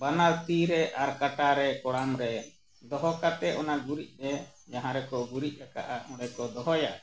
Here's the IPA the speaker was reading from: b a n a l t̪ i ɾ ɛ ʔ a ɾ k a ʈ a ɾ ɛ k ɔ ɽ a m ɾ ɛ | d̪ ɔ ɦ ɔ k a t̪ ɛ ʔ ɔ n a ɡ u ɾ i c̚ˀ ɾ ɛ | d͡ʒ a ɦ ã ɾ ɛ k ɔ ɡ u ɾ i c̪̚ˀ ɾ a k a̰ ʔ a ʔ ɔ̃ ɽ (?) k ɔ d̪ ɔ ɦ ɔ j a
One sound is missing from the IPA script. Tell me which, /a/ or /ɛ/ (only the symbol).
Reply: ɛ